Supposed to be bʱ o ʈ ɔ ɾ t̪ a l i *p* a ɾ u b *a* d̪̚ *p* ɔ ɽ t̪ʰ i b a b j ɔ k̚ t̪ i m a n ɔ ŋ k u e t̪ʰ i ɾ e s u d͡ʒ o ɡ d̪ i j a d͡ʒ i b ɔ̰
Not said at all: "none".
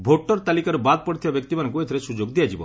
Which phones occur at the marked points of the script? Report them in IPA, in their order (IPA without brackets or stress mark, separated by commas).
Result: k, a, p